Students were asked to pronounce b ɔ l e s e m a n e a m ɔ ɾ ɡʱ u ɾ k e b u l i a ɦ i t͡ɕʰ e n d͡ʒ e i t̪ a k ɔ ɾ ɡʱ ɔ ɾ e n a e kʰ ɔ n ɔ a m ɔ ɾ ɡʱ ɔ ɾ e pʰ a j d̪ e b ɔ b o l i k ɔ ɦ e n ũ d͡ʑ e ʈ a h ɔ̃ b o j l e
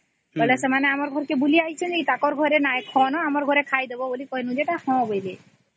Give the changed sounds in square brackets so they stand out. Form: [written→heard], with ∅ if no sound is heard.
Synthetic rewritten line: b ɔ l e s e m a n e a m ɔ ɾ ɡʱ [u→ɔ] ɾ k e b u l i a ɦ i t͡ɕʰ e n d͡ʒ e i t̪ a k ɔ ɾ ɡʱ ɔ ɾ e n a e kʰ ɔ n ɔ a m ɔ ɾ ɡʱ ɔ ɾ e [pʰ→kʰ] a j d̪ e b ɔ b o l i k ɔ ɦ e n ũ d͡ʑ e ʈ a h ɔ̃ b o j l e